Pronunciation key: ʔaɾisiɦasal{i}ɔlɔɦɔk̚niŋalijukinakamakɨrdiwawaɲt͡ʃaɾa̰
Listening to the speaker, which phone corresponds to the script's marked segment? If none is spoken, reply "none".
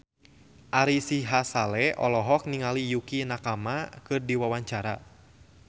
ɛ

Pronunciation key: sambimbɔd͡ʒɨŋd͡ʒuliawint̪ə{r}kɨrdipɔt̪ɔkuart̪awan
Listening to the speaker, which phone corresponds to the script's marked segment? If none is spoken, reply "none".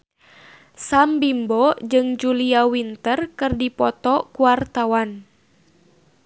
r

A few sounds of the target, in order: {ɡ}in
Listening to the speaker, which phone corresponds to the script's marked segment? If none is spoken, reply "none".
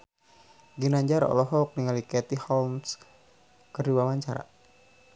ɡ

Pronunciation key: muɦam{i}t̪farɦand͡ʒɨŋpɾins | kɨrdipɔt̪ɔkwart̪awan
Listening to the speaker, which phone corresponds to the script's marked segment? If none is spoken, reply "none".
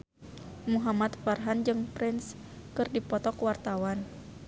a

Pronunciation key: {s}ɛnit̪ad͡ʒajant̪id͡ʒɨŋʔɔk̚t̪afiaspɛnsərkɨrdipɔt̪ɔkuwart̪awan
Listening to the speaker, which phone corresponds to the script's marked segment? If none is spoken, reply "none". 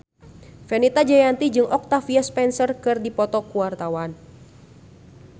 f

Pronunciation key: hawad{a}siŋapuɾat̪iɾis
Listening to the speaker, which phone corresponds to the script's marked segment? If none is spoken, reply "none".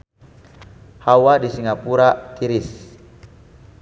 i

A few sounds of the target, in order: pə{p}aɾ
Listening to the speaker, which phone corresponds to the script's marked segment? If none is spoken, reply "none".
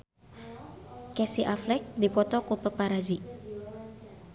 p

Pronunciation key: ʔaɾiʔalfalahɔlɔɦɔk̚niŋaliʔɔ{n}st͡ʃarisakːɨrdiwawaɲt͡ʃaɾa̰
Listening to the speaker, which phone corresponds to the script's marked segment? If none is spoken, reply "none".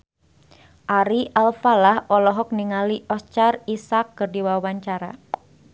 none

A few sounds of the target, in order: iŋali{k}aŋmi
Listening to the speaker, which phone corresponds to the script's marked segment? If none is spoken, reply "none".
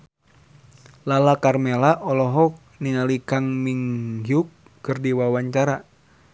k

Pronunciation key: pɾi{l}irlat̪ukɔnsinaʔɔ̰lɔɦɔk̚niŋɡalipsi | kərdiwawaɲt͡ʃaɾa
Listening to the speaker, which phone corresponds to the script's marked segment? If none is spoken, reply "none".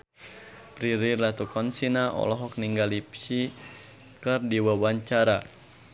ɾ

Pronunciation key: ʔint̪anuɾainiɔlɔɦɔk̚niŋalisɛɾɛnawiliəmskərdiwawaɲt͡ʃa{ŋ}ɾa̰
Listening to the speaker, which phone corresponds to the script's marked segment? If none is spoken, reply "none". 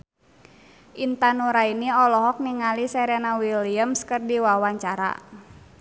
none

